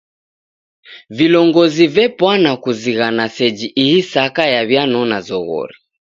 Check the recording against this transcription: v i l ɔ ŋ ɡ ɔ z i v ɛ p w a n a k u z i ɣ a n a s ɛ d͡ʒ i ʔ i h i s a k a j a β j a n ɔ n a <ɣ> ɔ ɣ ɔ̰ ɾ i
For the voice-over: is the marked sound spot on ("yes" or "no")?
no